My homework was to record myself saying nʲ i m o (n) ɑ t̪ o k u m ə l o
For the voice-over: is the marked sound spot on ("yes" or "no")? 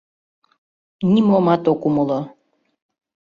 no